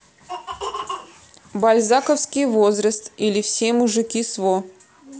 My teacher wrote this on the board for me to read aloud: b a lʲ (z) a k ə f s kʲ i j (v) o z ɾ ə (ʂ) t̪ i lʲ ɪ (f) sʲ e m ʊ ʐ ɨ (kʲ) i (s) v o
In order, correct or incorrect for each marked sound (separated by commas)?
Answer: correct, correct, incorrect, correct, correct, correct